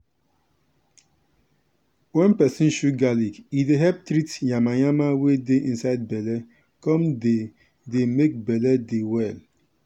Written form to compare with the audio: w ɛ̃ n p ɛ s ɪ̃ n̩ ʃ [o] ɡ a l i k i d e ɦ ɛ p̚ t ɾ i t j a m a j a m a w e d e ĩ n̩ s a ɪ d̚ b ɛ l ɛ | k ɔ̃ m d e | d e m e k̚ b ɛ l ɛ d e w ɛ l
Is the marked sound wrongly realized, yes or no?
yes